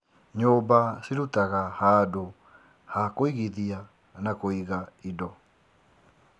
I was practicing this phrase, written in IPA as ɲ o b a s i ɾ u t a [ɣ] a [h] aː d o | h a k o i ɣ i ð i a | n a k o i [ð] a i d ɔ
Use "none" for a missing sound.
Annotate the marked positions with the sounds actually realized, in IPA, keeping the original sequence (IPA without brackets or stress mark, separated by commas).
ɣ, h, ɣ